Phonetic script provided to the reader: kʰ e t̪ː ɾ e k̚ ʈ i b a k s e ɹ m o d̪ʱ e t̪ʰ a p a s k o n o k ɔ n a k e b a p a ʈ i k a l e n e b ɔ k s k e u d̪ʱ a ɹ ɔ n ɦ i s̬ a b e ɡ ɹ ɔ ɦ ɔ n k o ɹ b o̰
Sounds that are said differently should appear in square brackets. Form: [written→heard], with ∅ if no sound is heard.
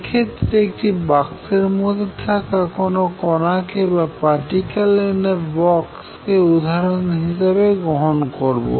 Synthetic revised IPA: kʰ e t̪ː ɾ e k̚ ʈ i b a k s e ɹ m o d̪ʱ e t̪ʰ a [p→k] a [s→∅] k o n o k ɔ n a k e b a p a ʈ i k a l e n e b ɔ k s k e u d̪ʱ a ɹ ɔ n ɦ i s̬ a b e ɡ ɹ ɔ ɦ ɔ n k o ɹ b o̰

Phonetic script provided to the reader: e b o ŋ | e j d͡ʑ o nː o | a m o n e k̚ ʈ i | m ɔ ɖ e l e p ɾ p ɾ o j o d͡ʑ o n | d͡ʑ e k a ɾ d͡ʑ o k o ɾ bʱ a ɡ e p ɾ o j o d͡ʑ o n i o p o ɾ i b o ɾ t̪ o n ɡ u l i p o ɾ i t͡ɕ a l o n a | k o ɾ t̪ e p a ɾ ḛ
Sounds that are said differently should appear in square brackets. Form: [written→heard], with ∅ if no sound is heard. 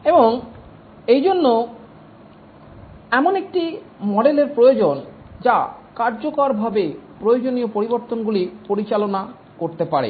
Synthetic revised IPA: e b o ŋ | e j d͡ʑ o nː o | [a→ɛ] m o n e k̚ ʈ i | m ɔ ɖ e l e [p→∅] ɾ p ɾ o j o d͡ʑ o n | d͡ʑ [e→a] k a ɾ d͡ʑ o k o ɾ bʱ a [ɡ→b] e p ɾ o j o d͡ʑ o n i o p o ɾ i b o ɾ t̪ o n ɡ u l i p o ɾ i t͡ɕ a l o n a | k o ɾ t̪ e p a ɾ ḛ

